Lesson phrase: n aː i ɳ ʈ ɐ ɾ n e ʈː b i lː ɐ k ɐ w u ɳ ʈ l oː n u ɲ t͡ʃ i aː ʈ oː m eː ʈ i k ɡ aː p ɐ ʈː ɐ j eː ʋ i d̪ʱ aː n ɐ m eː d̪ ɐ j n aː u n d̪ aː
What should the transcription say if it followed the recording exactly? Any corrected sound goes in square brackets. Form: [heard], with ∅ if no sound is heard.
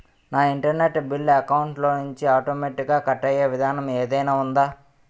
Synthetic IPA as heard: n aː i ɳ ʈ ɐ ɾ n e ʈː b i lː ɐ k ɐ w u ɳ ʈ l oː n u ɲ t͡ʃ i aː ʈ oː m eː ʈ i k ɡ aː [k] ɐ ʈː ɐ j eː ʋ i d̪ʱ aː n ɐ m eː d̪ ɐ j n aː u n d̪ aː